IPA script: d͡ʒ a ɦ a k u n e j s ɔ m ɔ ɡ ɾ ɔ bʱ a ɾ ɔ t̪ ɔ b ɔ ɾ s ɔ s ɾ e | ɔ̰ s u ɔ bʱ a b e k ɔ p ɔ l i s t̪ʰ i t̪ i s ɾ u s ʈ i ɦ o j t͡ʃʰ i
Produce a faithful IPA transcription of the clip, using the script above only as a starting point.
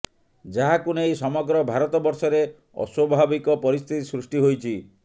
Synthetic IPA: d͡ʒ a ɦ a k u n e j s ɔ m ɔ ɡ ɾ ɔ bʱ a ɾ ɔ t̪ ɔ b ɔ ɾ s ɔ ɾ e | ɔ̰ s w ɔ bʱ a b i k ɔ p ɔ ɾ i s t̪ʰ i t̪ i s ɾ u s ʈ i ɦ o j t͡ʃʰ i